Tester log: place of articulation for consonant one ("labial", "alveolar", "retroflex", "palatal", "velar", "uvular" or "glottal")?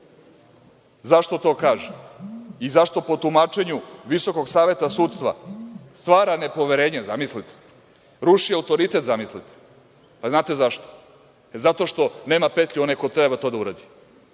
alveolar